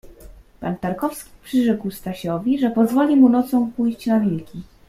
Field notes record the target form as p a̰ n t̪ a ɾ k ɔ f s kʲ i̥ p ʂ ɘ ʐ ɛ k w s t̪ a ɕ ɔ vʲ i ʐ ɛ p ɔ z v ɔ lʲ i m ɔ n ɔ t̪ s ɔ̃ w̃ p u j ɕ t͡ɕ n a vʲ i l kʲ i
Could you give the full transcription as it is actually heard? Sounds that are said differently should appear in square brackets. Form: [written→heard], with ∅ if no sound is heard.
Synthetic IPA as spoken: p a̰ n t̪ a ɾ k ɔ f s kʲ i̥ p ʂ ɘ ʐ ɛ k w s t̪ a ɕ ɔ vʲ i ʐ ɛ p ɔ z v ɔ lʲ i m [ɔ→u] n ɔ t̪ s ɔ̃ w̃ p u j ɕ t͡ɕ n a vʲ i l kʲ i